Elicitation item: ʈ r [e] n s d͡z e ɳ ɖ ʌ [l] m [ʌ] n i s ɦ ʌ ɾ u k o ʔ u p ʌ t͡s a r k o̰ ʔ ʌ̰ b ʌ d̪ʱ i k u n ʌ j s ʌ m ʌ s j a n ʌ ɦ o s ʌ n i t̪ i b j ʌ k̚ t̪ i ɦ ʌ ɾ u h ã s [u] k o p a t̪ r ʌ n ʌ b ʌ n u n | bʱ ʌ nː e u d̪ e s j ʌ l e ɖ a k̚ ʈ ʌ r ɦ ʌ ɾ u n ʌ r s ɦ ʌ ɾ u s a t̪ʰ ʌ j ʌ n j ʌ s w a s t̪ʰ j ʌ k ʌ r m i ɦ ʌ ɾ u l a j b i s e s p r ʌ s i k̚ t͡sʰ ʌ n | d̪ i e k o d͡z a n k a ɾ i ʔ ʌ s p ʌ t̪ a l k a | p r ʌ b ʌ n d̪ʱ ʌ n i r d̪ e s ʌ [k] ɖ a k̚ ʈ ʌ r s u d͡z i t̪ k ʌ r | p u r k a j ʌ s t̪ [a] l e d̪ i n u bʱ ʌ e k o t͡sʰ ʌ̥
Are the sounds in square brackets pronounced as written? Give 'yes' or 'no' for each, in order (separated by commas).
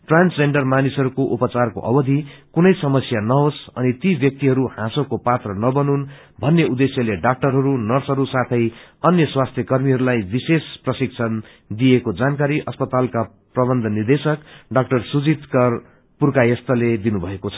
no, no, no, no, yes, no